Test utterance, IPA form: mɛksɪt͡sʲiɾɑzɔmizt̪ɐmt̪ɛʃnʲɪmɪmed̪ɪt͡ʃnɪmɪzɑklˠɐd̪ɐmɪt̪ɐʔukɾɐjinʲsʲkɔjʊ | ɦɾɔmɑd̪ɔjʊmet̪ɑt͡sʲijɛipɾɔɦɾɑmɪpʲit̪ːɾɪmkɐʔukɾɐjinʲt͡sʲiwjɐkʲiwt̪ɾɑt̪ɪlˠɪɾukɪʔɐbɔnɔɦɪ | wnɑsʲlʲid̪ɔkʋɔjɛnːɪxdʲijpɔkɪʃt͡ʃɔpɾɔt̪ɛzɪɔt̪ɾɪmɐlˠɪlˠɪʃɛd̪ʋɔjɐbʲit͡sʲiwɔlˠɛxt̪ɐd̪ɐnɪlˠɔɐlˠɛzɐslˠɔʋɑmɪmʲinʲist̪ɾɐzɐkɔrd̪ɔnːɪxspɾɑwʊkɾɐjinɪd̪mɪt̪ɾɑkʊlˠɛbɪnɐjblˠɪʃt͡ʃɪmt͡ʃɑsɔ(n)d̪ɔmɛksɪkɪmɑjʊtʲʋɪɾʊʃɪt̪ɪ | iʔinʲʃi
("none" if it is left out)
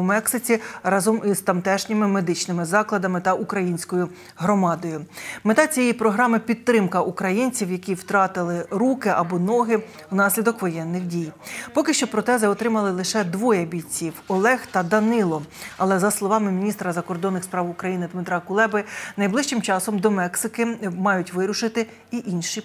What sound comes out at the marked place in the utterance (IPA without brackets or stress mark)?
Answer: m